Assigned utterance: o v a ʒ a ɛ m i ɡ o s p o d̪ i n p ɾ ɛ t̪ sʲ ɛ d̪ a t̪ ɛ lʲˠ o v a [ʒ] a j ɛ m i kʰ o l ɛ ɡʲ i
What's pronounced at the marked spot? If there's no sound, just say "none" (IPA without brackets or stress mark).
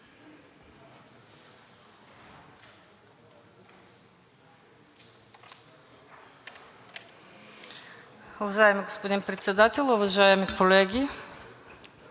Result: ʒ